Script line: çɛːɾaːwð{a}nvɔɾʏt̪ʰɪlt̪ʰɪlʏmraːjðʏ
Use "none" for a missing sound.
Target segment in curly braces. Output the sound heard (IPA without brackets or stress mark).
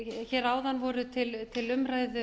a